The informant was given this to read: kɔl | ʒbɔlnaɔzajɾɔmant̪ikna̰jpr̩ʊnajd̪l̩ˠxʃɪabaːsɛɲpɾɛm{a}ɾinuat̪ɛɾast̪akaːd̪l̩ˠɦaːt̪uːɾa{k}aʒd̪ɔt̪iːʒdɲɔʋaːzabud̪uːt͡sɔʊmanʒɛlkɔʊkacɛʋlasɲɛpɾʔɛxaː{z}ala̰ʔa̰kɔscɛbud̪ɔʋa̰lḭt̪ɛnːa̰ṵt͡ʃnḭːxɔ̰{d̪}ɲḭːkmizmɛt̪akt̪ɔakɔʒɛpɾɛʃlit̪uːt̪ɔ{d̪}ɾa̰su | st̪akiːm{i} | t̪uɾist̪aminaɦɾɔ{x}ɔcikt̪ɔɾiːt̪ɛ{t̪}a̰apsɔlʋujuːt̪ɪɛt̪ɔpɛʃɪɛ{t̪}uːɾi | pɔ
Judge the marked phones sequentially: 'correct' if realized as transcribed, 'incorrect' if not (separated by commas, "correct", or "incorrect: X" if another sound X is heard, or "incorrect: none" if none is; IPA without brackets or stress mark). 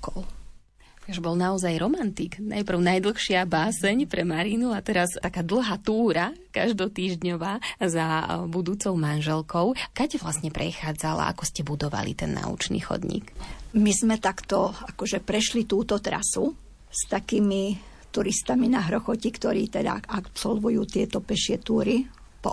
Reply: correct, correct, incorrect: d͡z, correct, incorrect: t̪, correct, correct, incorrect: d̪, correct